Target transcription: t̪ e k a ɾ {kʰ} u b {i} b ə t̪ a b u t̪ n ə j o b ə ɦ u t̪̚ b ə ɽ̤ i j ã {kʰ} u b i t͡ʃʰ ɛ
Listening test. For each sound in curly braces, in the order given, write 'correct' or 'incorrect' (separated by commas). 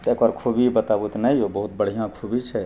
correct, correct, correct